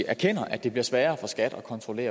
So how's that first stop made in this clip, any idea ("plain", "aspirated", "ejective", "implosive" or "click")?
aspirated